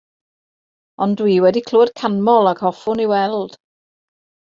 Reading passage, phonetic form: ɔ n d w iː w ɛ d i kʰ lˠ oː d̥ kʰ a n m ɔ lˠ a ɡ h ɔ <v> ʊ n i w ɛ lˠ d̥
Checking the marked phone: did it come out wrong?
yes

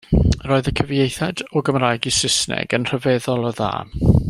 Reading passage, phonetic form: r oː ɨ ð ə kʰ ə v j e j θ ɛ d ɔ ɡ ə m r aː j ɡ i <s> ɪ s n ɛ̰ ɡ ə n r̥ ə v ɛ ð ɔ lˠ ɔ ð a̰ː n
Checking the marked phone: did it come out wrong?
no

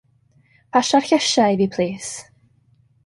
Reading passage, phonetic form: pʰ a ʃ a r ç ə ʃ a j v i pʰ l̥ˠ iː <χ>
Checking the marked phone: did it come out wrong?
yes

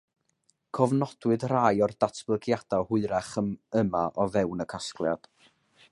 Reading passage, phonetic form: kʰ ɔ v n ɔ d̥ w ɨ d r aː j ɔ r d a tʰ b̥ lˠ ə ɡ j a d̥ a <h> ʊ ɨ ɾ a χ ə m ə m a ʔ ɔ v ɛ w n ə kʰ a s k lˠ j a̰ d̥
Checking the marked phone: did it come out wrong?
no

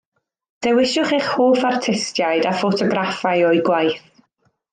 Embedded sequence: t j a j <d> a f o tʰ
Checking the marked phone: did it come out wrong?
no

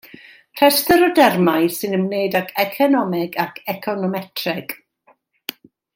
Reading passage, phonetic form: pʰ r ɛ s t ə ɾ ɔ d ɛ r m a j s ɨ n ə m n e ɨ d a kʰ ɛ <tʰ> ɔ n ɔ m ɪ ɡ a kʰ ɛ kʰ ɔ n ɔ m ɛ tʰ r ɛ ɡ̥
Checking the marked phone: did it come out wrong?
yes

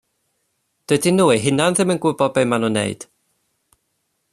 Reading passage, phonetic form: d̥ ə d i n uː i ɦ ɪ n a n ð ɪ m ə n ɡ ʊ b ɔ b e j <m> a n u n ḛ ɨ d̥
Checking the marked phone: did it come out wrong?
no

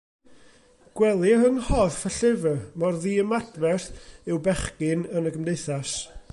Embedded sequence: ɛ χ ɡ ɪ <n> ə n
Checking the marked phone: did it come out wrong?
no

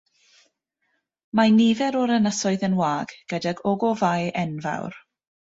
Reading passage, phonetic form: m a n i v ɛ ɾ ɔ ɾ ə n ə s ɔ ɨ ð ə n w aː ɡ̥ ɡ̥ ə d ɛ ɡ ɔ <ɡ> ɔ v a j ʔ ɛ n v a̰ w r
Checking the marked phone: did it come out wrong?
no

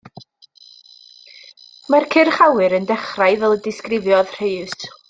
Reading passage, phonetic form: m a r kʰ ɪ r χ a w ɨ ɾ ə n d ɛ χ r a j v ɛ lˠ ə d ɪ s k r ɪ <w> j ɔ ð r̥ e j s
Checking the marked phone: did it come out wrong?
yes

